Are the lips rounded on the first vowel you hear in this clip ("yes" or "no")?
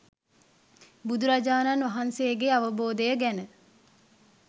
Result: yes